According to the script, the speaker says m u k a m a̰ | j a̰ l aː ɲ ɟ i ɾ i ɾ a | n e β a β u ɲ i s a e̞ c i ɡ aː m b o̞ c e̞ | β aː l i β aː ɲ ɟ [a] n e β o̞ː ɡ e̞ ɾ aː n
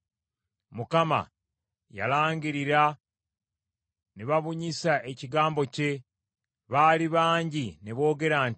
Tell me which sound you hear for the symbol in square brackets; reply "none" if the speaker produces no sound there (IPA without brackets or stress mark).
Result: i